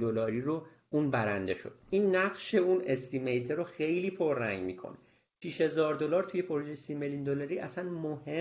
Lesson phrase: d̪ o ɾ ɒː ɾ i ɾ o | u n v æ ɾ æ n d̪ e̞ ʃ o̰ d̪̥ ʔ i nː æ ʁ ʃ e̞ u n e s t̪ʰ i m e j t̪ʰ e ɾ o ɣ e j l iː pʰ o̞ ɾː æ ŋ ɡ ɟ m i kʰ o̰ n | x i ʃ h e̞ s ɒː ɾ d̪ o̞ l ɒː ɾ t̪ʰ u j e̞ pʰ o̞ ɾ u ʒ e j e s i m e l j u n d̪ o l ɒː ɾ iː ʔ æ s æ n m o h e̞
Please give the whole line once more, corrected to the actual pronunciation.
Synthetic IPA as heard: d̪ o l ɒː ɾ i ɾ o | u n b æ ɾ æ n d̪ e̞ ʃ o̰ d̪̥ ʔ i nː æ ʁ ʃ e̞ u n e s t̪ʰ i m e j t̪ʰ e ɾ o x e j l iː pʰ o̞ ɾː æ ŋ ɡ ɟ m i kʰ o̰ n | ʃ i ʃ h e̞ z ɒː ɾ d̪ o̞ l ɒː ɾ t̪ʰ u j e̞ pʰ o̞ ɾ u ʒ e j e s i m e l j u n d̪ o l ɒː ɾ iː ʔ æ s æ n m o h e̞